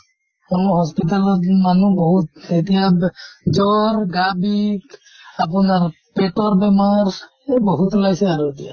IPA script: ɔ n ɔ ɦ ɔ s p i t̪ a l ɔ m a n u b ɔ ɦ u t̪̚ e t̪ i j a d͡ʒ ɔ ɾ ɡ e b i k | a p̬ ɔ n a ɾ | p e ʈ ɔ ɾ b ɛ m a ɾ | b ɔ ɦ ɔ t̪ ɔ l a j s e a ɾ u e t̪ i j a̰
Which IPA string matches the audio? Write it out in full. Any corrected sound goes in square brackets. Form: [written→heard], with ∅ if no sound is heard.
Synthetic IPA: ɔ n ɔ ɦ ɔ s p i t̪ a l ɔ m a n u b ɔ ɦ u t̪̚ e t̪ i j a d͡ʒ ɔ ɾ ɡ [e→a] b i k | a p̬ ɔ n a ɾ | p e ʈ ɔ ɾ b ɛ m a ɾ | b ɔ ɦ [ɔ→u] t̪ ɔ l a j s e a ɾ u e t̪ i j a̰